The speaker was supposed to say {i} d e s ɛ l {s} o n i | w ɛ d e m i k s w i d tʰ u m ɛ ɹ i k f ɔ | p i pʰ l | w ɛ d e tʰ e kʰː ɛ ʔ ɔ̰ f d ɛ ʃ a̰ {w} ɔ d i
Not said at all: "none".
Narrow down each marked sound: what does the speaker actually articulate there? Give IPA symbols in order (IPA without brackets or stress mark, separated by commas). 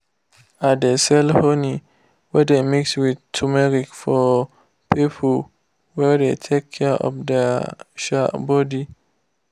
a, h, b